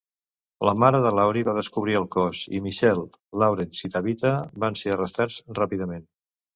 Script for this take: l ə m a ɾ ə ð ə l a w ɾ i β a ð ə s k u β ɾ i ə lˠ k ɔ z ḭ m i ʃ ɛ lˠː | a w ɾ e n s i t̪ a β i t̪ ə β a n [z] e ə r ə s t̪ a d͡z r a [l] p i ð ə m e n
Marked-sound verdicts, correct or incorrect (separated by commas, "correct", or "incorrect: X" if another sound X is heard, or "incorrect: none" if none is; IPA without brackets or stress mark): incorrect: s, incorrect: none